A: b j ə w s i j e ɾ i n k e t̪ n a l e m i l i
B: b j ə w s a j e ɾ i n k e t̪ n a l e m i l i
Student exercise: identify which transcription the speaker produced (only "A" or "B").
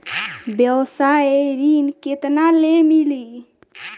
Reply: B